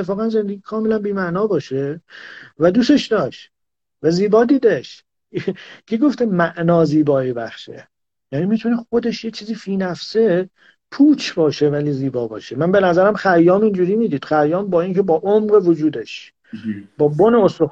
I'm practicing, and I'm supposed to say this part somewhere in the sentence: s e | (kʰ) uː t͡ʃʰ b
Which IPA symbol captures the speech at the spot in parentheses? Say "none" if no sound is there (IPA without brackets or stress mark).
pʰ